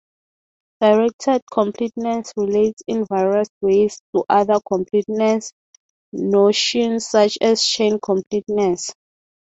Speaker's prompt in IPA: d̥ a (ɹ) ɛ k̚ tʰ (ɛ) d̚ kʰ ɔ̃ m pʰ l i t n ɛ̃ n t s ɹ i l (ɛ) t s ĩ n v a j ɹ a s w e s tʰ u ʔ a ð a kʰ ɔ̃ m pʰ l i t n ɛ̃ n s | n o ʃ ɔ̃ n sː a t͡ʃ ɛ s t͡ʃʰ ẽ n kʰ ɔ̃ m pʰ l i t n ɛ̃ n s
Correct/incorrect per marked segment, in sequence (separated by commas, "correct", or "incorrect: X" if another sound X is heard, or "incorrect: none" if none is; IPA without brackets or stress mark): correct, correct, incorrect: e